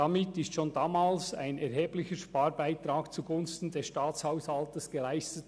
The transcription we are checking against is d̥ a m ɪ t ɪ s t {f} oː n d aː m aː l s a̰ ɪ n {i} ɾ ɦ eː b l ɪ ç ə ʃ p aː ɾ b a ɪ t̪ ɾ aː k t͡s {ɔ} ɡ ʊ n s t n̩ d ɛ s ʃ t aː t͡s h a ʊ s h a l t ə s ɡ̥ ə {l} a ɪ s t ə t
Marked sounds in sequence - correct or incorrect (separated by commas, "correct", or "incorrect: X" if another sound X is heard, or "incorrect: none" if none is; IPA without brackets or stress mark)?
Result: incorrect: ʃ, incorrect: ɛ, incorrect: u, correct